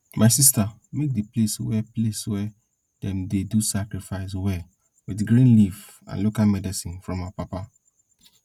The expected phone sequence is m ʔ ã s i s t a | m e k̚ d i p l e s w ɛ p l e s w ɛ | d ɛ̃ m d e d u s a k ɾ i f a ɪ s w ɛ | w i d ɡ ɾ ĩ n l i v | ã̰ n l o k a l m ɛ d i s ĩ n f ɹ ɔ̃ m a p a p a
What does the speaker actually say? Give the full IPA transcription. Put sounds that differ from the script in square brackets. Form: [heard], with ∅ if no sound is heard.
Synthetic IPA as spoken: m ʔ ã s i s t a | m e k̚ d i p l e s w ɛ p l e s w ɛ | d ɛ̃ m d e d u s a k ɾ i f a ɪ s w ɛ | w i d ɡ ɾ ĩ n l i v | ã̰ n l o k a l m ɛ d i s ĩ n f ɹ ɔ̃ m a p a p a